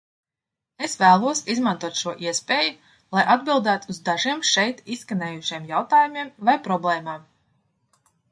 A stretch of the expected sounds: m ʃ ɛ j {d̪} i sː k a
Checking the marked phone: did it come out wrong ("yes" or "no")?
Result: yes